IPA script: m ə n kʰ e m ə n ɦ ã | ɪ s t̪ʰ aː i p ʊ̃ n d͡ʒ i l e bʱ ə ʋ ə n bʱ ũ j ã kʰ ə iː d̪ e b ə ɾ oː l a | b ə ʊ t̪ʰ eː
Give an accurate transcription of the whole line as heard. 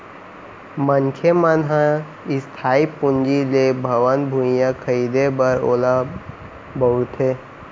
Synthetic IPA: m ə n kʰ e m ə n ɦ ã | ɪ s t̪ʰ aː i p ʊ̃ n d͡ʒ i l e bʱ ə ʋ ə n bʱ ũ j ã kʰ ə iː d̪ e b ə ɾ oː l a | b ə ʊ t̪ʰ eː

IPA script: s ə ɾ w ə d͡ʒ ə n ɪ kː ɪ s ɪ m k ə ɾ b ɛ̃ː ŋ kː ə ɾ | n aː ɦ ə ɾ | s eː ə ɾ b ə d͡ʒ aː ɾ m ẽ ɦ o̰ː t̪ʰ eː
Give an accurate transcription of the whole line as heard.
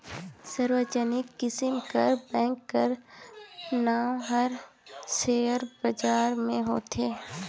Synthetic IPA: s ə ɾ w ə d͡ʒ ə n ɪ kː ɪ s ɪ m k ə ɾ b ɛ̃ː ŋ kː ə ɾ | n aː ɦ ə ɾ | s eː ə ɾ b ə d͡ʒ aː ɾ m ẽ ɦ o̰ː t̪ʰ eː

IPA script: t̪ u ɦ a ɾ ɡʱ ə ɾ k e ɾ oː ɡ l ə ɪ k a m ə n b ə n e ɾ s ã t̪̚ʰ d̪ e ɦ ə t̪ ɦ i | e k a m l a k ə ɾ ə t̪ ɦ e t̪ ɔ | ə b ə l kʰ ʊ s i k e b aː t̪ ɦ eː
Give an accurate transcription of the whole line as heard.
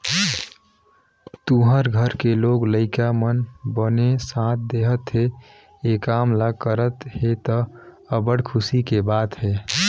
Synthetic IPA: t̪ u ɦ ə ɾ ɡʱ ə ɾ k e l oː ɡ l ə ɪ k a m ə n b ə n e s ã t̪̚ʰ d̪ e ɦ ə t̪ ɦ e | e k a m l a k ə ɾ ə t̪ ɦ e t̪ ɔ | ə b ə ɽ kʰ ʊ s i k e b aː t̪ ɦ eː

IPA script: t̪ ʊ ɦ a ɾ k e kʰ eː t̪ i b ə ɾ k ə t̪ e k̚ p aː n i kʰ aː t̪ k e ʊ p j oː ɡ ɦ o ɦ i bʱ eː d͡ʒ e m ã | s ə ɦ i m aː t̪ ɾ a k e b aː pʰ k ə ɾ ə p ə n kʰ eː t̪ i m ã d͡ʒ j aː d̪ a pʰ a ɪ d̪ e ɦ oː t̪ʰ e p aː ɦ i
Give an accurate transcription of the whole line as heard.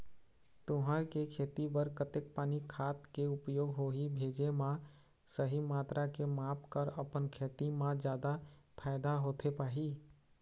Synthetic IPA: t̪ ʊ ɦ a ɾ k e kʰ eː t̪ i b ə ɾ k ə t̪ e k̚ p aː n i kʰ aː t̪ k e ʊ p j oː ɡ ɦ o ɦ i bʱ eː d͡ʒ e m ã | s ə ɦ i m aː t̪ ɾ a k e m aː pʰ k ə ɾ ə p ə n kʰ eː t̪ i m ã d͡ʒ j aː d̪ a pʰ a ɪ d̪ a ɦ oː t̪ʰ e p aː ɦ i

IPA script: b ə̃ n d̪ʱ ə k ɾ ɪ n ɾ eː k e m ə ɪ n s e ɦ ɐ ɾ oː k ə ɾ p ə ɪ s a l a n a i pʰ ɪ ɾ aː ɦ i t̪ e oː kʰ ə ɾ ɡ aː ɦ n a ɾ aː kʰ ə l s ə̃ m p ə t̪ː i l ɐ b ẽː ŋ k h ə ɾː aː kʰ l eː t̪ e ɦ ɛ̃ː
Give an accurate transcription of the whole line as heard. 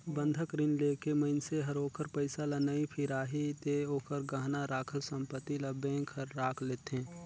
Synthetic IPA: b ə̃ n d̪ʱ ə k ɾ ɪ n l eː k e m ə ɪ n s e ɦ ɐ ɾ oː k ə ɾ p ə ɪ s a l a n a i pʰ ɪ ɾ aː ɦ i t̪ e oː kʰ ə ɾ ɡ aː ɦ n a ɾ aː kʰ ə l s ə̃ m p ə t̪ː i l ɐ b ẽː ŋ k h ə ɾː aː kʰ l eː t̪ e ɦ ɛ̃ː

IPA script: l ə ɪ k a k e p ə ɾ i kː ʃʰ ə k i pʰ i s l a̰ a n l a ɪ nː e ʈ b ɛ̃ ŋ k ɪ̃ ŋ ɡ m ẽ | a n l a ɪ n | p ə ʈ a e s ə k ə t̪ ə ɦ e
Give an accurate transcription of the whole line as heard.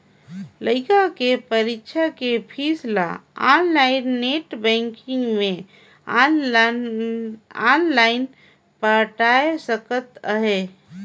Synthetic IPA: l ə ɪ k a k e p ə ɾ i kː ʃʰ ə k e pʰ i s l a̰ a n l a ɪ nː e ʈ b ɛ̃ ŋ k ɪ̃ ŋ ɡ m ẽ | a n l a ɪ n | p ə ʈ a e s ə k ə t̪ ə ɦ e

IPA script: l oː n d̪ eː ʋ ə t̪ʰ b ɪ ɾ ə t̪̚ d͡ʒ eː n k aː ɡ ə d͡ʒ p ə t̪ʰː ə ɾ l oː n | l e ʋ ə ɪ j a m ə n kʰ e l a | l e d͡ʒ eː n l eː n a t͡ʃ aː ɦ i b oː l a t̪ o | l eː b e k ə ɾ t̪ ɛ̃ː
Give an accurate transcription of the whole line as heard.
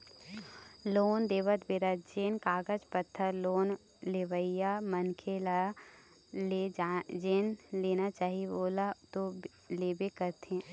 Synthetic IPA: l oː n d̪ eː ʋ ə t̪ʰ b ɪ ɾ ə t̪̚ d͡ʒ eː n k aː ɡ ə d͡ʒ p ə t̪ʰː ə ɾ l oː n | l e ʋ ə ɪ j a m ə n kʰ e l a | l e d͡ʒ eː n l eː n a t͡ʃ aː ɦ i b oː l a t̪ o | l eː b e k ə ɾ t̪ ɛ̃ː

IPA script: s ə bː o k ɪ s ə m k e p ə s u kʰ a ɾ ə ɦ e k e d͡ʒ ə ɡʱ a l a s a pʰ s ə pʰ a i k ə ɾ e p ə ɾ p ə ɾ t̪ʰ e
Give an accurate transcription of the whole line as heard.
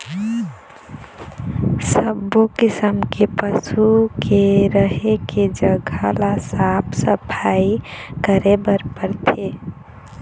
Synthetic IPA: s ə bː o k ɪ s ə m k e p ə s u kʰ e ɾ ə ɦ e k e d͡ʒ ə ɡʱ a l a s a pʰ s ə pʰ a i k ə ɾ e b ə ɾ p ə ɾ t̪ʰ e

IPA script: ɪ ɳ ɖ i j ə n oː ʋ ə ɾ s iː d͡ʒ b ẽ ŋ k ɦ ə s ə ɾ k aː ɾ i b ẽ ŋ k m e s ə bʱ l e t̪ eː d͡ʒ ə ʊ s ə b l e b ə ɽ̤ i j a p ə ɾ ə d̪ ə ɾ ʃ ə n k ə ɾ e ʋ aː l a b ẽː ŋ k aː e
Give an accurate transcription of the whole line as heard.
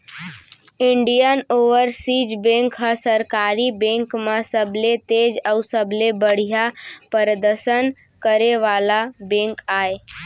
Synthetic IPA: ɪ ɳ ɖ i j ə n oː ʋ ə ɾ s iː d͡ʒ b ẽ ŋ k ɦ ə s ə ɾ k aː ɾ i b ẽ ŋ k m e s ə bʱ l e t̪ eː d͡ʒ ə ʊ s ə b l e b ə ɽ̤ i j a p ə ɾ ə d̪ ə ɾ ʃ ə n k ə ɾ e ʋ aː l a b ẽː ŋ k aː e

